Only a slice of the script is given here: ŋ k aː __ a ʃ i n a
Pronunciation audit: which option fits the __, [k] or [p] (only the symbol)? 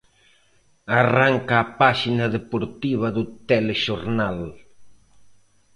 p